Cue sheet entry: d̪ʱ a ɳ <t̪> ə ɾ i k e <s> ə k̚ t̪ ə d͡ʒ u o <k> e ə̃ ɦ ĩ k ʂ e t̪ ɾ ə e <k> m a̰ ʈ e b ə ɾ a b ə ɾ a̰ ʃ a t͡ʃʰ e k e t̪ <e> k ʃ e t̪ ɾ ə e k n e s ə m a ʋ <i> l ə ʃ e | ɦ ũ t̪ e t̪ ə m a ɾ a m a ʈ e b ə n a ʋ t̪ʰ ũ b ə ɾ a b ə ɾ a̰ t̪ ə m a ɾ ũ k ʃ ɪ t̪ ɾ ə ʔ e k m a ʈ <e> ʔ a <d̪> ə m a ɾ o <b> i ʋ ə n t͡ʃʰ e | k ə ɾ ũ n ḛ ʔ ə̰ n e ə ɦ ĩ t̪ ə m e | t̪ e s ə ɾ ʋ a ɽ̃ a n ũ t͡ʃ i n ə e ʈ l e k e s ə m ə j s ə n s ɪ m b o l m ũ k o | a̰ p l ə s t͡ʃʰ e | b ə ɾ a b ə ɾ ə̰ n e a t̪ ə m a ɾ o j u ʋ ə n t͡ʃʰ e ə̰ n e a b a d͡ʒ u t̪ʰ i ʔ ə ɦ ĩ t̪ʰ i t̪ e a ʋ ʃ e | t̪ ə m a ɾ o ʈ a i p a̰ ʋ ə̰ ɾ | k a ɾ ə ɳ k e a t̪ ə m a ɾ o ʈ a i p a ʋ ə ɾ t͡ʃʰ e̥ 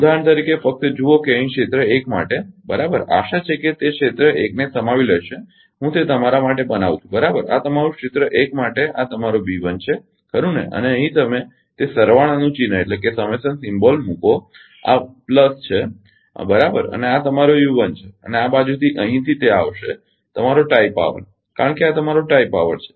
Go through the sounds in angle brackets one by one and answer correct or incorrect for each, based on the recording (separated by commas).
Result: correct, incorrect, correct, correct, correct, correct, correct, incorrect, correct